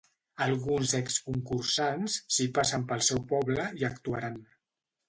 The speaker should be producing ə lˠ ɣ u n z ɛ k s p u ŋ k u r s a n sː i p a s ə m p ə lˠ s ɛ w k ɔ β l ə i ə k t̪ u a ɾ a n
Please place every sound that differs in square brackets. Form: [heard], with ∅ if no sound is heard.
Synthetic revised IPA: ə lˠ ɣ u n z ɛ k s [k] u ŋ k u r s a n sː i p a s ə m p ə lˠ s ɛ w [p] ɔ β l ə i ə k t̪ u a ɾ a n